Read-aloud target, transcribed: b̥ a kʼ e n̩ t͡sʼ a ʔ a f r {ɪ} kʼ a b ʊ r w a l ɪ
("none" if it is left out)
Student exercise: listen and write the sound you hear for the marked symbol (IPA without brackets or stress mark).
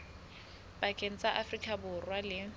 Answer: i